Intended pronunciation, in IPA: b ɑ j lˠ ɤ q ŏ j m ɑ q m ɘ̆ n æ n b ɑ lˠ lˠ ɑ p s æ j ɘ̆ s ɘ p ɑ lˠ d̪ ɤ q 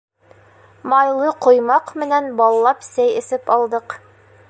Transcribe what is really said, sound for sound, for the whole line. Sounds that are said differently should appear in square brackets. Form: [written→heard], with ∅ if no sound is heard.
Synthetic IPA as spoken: [b→m] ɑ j lˠ ɤ q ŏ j m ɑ q m ɘ̆ n æ n b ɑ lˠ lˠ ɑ p s æ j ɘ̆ s ɘ p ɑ lˠ d̪ ɤ q